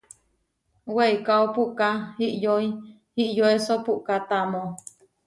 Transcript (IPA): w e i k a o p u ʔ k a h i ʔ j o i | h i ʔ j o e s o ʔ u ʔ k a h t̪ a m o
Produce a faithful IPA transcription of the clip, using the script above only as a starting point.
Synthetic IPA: w e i k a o p u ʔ k a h i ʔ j o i | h i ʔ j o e s o p u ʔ k a t̪ a m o